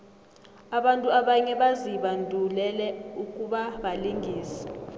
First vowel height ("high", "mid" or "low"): low